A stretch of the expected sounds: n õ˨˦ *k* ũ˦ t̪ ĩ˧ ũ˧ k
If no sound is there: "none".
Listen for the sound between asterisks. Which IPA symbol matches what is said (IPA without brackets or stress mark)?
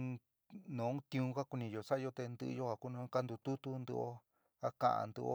none